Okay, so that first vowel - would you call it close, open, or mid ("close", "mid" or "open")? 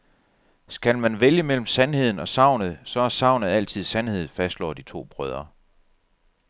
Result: open